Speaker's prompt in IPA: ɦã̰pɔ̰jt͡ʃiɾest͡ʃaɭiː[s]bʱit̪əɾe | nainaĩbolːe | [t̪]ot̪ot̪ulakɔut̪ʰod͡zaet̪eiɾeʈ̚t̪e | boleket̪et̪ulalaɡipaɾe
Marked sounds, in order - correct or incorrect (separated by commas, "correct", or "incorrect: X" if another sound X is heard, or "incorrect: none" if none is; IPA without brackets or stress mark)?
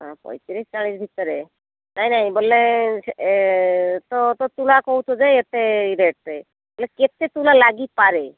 correct, correct